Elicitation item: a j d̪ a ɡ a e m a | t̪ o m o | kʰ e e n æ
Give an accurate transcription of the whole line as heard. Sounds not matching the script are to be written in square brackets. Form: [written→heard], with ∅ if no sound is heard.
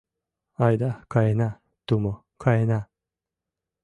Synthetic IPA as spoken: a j d̪ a [ɡ→k] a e [m→n] a | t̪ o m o | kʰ [e→a] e n [æ→a]